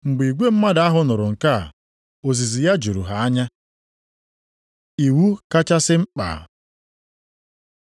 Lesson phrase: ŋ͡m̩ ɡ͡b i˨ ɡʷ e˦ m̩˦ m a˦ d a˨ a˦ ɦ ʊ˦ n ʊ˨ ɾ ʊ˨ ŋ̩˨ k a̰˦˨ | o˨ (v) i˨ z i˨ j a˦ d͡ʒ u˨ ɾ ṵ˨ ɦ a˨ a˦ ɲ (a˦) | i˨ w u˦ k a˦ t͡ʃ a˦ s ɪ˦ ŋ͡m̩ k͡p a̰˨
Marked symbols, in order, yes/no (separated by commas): no, yes